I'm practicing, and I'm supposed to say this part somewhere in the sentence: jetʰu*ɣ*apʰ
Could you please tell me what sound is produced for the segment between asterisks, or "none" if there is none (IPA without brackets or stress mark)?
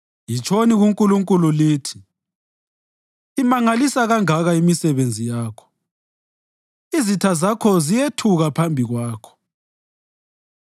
ɣ